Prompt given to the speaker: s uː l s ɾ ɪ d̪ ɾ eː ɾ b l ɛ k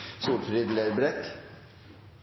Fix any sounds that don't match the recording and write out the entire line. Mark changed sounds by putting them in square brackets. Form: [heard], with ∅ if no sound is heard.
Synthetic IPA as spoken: s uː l [f] ɾ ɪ d̪ [l] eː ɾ b [ɾ] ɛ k